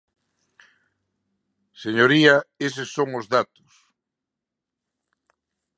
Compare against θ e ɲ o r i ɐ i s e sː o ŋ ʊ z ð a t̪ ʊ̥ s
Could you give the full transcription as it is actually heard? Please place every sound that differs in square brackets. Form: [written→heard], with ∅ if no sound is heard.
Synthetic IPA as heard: [θ→s] e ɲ o [r→ɾ] i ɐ [i→e] s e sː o ŋ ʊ z ð a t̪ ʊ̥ s